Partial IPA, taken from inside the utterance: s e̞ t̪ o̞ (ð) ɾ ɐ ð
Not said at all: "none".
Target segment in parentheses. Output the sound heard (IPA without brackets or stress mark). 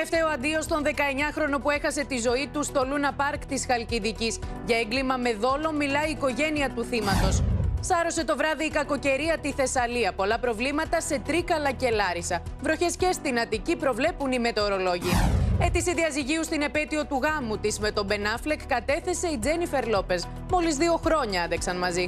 v